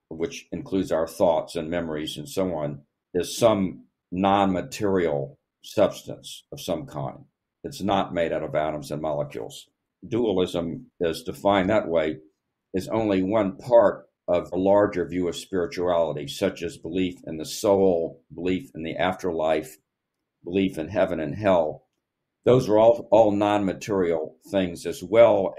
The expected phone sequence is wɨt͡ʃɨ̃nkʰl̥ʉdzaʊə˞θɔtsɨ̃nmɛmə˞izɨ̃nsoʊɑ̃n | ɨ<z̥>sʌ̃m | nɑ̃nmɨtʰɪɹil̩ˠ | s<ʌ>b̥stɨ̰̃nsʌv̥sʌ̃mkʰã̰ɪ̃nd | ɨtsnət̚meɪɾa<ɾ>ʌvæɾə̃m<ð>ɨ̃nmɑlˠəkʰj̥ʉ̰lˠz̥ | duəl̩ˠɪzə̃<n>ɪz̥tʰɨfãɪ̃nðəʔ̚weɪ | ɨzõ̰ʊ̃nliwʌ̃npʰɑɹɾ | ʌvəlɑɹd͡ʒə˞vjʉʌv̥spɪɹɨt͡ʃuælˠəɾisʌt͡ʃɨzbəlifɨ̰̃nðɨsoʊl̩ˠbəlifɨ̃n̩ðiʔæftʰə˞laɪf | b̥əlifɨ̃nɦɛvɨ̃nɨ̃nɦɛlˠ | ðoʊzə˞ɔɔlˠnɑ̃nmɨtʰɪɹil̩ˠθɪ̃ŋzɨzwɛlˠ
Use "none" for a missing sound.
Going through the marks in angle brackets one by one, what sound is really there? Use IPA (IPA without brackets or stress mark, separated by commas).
z̥, ʌ, ɾ, z, m